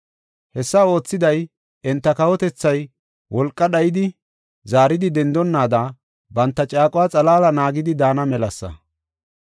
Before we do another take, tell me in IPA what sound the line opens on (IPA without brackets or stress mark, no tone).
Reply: h